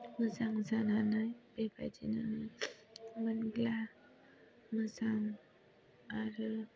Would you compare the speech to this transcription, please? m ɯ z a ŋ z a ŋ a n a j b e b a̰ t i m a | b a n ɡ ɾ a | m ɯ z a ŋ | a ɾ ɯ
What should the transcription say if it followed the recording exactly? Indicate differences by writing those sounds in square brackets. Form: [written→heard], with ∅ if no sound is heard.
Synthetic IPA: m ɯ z a ŋ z a [ŋ→n] a n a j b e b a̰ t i [m→n] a | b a n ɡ [ɾ→l] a | m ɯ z a ŋ | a ɾ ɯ